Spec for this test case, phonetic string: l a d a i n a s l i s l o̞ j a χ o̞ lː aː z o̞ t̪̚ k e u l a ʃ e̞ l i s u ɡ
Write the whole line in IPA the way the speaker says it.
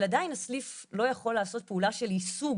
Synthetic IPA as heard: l a d a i n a s l i f l o̞ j a χ o̞ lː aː s o̞ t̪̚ p e u l a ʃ e̞ l i s u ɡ